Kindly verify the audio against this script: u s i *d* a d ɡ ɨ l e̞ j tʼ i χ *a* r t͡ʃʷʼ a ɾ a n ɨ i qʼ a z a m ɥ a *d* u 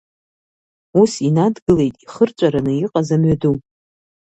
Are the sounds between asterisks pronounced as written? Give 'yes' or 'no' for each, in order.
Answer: no, no, yes

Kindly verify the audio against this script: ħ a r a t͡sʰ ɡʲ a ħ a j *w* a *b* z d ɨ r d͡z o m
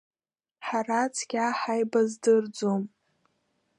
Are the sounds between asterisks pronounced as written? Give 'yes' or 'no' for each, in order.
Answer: no, no

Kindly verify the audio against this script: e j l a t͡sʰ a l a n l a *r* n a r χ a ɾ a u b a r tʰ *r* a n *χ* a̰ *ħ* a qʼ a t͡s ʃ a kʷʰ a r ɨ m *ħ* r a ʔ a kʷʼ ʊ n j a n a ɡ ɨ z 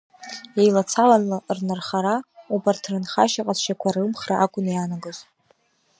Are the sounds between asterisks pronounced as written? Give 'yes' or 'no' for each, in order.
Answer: yes, yes, yes, no, no

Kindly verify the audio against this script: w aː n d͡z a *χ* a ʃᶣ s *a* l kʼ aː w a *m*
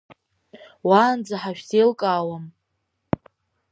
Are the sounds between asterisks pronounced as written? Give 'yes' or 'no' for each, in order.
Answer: no, no, yes

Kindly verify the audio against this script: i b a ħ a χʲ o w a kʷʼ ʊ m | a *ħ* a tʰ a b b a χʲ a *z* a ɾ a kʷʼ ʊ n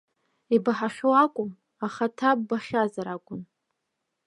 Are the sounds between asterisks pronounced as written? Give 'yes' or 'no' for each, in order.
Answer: no, yes

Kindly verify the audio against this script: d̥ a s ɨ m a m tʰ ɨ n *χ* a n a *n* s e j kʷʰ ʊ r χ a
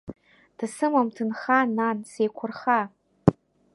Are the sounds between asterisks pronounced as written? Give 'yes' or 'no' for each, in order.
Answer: yes, yes

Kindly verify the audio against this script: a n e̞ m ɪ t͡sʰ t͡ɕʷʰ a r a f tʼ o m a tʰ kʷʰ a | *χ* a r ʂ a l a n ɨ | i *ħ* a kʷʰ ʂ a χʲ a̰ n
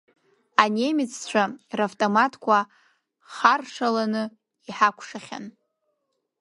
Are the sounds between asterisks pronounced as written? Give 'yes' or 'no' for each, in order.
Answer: yes, yes

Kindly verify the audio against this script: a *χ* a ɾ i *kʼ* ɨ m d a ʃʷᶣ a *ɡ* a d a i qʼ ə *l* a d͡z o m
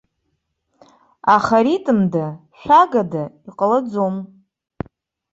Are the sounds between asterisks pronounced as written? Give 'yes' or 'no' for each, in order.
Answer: yes, no, yes, yes

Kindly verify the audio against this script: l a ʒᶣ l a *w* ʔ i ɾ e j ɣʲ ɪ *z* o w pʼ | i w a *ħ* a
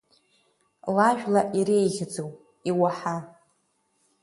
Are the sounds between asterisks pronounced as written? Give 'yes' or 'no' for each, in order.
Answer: no, no, yes

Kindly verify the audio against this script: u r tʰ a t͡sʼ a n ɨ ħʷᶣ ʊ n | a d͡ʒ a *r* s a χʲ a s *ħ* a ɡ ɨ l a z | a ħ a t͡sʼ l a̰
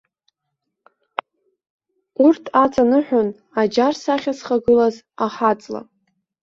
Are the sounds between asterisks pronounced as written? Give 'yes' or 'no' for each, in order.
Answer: yes, no

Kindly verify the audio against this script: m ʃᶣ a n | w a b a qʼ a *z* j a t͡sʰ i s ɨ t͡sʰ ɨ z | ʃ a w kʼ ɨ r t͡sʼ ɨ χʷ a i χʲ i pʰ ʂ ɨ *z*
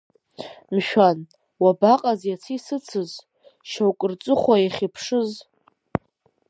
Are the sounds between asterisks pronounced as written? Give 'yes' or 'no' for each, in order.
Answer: yes, yes

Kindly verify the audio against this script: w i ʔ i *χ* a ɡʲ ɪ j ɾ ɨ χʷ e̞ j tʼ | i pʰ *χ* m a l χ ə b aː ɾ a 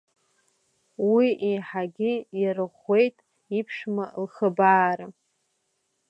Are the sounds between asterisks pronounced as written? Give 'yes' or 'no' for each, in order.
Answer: no, no

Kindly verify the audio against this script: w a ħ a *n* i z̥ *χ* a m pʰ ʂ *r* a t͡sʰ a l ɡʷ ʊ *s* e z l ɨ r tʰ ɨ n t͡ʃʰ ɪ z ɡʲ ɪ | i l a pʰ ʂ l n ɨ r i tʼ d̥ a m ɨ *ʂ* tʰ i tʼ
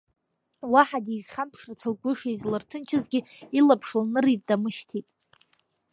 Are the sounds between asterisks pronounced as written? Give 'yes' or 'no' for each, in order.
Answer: no, yes, yes, no, no

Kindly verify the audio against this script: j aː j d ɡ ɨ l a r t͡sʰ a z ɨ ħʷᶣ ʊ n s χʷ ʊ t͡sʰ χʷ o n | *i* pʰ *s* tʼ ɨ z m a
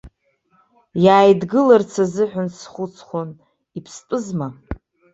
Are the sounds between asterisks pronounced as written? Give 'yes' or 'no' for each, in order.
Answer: yes, yes

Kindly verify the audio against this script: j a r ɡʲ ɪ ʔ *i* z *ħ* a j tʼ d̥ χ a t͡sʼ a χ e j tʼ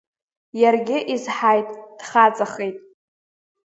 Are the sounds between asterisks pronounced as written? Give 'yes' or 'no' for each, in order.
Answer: yes, yes

